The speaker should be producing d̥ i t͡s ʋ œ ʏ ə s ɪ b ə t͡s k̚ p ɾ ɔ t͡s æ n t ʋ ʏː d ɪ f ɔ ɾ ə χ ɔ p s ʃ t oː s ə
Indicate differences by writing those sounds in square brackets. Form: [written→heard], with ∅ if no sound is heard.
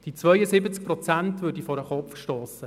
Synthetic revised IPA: d̥ i t͡s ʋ œ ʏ ə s ɪ b ə t͡s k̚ p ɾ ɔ t͡s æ n t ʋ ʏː d [ɪ→i] f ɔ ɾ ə χ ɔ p [s→f] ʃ t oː s ə